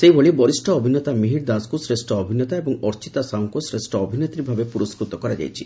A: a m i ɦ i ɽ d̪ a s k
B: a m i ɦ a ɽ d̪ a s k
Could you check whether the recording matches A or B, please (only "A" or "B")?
A